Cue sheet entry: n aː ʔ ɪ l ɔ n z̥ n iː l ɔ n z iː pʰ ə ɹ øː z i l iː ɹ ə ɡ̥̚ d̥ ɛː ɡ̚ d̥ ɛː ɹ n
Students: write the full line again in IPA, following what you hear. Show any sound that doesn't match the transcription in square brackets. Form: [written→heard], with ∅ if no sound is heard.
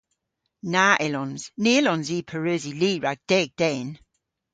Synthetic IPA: n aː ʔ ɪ l ɔ n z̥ n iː l ɔ n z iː pʰ ə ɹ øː z i l iː ɹ [ə→a] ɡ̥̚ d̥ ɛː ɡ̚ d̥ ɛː [ɹ→∅] n